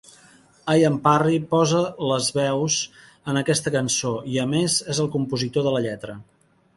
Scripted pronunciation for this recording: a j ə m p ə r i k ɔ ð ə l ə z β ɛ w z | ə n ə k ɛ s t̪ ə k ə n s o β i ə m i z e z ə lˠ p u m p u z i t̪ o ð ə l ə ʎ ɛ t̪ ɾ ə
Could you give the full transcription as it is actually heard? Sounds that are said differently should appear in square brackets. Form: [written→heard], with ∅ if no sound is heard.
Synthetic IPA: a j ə m p [ə→a] r i [k→p] ɔ [ð→z] ə l ə z β ɛ w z | ə n ə k ɛ s t̪ ə k ə n s o [β→∅] i ə m [i→e] z e z ə lˠ [p→k] u m p u z i t̪ o ð ə l ə ʎ ɛ t̪ ɾ ə